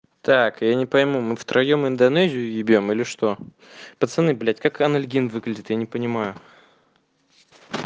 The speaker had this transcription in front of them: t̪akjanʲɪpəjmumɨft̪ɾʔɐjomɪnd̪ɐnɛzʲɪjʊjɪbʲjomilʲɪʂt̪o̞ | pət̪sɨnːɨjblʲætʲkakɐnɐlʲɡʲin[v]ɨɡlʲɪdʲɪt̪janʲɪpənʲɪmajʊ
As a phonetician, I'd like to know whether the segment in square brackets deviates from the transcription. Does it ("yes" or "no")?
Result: no